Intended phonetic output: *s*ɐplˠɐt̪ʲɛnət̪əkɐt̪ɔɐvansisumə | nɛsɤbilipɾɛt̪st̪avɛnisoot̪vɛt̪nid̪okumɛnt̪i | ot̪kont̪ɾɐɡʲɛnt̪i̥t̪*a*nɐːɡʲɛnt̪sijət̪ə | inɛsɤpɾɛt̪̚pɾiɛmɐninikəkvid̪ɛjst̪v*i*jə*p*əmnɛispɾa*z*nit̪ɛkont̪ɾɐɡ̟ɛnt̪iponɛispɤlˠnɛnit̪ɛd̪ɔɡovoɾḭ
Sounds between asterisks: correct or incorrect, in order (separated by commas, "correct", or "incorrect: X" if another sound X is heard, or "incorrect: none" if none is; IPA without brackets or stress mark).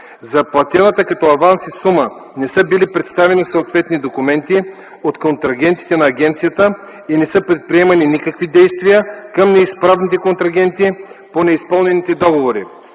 incorrect: z, incorrect: ɛ, correct, incorrect: k, incorrect: v